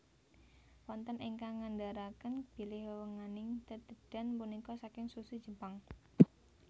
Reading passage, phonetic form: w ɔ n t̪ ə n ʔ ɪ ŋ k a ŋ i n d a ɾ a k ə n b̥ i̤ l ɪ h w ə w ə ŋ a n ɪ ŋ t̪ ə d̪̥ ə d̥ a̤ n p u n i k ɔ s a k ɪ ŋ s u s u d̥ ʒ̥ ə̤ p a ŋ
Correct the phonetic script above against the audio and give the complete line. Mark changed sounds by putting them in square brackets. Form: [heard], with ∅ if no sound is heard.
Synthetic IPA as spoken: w ɔ n t̪ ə n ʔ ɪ ŋ k a ŋ [a] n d a ɾ a k ə n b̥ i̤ l ɪ h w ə w ə ŋ a n ɪ ŋ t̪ ə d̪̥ ə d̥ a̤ n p u n i k ɔ s a k ɪ ŋ s u s u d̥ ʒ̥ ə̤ p a ŋ